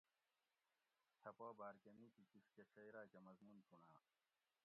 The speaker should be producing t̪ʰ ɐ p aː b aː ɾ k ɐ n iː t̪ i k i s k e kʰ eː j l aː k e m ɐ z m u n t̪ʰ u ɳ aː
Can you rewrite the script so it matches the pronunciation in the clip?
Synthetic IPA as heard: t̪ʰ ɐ p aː b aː ɾ k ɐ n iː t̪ i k i s k e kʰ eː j ɾ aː k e m ɐ z m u n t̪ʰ u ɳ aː